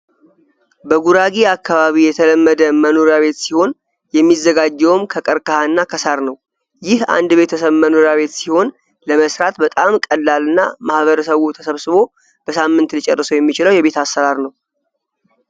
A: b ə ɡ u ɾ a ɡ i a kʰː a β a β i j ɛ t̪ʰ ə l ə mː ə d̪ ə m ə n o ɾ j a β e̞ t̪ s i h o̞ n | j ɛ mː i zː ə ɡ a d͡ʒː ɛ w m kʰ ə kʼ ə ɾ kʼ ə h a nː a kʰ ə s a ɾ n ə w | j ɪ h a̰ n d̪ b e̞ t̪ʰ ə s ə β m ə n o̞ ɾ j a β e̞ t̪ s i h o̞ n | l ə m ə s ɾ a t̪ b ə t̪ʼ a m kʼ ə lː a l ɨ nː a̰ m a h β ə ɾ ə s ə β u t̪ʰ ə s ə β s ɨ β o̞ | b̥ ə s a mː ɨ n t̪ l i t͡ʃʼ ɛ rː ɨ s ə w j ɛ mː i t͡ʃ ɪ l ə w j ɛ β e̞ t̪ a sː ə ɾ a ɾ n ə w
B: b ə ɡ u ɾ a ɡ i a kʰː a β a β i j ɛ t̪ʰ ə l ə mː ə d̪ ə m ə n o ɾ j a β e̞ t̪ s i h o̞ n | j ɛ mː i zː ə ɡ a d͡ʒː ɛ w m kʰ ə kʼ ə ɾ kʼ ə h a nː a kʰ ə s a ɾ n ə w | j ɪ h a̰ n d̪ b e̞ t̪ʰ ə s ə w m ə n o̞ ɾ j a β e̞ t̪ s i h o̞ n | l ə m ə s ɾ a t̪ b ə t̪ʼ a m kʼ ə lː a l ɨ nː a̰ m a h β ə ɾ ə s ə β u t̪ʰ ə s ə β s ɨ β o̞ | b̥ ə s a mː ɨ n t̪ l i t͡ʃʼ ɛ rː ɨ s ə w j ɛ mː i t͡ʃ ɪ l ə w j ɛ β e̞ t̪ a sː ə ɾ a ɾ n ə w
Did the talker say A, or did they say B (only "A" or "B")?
A